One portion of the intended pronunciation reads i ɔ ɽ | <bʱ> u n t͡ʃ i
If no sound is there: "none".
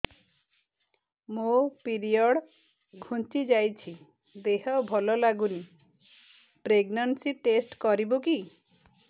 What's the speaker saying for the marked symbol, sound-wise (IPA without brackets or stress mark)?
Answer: ɡʱ